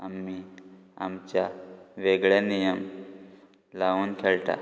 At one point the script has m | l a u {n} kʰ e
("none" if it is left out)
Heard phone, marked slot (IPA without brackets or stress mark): n